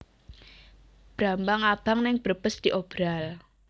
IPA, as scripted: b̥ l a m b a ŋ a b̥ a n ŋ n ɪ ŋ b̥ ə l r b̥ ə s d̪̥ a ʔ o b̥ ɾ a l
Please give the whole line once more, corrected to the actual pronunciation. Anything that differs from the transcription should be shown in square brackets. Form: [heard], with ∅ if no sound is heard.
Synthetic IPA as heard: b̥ [ɾ] a m b a ŋ a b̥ a [∅] ŋ n ɪ ŋ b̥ ə [∅] r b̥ ə s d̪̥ [i] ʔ o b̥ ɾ a l